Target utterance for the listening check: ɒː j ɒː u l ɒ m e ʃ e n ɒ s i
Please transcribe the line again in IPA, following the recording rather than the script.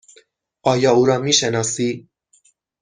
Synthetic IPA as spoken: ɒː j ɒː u ɾ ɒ m i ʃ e n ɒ s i